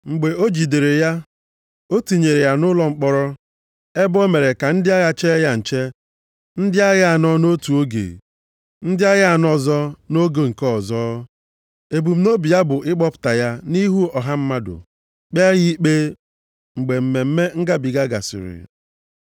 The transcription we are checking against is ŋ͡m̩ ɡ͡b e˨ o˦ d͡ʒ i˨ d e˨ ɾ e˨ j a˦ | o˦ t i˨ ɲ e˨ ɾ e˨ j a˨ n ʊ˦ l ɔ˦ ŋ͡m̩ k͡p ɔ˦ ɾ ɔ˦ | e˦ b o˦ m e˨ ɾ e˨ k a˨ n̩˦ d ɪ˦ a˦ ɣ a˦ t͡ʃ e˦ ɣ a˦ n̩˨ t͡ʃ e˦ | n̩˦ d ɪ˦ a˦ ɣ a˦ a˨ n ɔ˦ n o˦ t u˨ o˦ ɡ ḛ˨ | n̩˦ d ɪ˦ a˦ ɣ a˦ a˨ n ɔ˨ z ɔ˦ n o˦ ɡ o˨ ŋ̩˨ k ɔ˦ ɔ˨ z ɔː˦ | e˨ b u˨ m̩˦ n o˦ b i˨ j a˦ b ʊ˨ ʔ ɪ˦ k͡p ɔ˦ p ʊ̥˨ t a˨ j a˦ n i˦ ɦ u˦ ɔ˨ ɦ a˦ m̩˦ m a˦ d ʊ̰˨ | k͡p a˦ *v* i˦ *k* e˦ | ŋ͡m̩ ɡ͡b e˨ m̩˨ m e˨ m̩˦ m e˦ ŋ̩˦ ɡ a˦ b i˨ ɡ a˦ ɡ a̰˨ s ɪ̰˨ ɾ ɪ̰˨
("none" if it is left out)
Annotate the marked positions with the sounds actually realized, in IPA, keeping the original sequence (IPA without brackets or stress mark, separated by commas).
ɣ, k͡p